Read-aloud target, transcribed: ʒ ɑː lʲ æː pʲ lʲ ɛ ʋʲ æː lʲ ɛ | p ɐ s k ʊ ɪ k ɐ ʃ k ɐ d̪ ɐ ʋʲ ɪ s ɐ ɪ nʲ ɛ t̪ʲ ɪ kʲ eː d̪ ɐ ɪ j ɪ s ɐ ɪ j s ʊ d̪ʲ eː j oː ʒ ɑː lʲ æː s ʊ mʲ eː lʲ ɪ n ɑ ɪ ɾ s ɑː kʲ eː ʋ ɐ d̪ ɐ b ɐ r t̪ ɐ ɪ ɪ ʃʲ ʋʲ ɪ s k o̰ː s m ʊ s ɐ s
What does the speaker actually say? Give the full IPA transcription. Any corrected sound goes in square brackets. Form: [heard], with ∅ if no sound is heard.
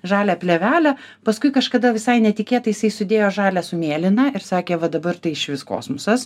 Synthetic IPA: ʒ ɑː lʲ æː pʲ lʲ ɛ ʋʲ æː lʲ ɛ | p ɐ s k ʊ ɪ k ɐ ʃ k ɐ d̪ ɐ ʋʲ ɪ s ɐ ɪ nʲ ɛ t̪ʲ ɪ kʲ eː [t̪] ɐ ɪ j ɪ s ɐ ɪ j s ʊ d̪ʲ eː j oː ʒ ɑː lʲ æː s ʊ mʲ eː lʲ ɪ n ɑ ɪ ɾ s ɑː kʲ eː ʋ ɐ d̪ ɐ b ɐ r t̪ ɐ ɪ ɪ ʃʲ ʋʲ ɪ s k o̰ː s m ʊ s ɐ s